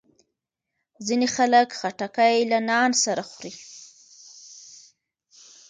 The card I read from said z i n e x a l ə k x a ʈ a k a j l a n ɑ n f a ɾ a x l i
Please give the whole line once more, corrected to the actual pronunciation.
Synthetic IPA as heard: z i n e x a l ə k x a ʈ a k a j l a n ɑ n s a ɾ a x ɾ i